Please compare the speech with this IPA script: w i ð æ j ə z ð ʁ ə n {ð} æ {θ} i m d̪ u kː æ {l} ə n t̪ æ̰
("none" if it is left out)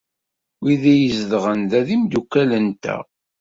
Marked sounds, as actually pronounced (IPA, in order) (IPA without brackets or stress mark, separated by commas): ð, ð, l